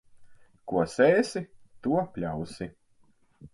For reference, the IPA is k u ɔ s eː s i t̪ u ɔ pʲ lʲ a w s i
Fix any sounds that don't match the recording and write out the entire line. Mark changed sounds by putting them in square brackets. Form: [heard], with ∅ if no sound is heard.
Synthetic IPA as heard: k u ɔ s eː s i t̪ u ɔ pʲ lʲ a w s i